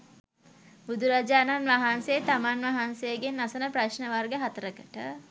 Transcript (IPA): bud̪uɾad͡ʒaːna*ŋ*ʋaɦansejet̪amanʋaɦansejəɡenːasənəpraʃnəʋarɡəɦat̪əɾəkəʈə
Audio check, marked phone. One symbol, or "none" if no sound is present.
n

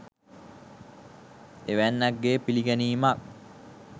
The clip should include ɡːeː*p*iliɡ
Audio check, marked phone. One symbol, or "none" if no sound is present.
p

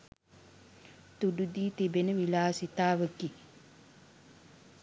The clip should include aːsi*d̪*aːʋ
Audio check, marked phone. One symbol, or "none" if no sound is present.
t̪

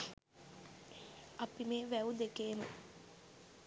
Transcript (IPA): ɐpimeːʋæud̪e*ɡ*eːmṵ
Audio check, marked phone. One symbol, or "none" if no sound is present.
k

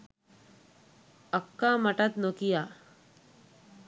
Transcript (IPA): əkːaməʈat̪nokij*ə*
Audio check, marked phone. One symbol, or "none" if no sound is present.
a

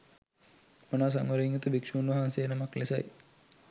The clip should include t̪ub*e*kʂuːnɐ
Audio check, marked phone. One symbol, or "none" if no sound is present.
i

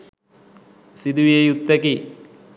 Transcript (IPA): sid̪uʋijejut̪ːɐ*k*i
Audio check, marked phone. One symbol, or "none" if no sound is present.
k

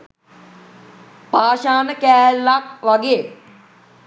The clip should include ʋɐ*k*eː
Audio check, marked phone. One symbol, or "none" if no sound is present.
ɡ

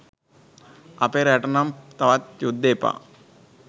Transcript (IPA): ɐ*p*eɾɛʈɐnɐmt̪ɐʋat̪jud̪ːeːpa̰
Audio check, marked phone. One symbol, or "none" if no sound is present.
p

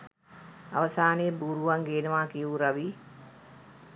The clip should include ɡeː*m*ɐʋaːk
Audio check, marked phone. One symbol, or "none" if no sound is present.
n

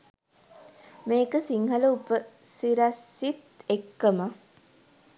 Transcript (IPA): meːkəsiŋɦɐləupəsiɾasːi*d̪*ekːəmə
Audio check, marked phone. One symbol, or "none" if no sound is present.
t̪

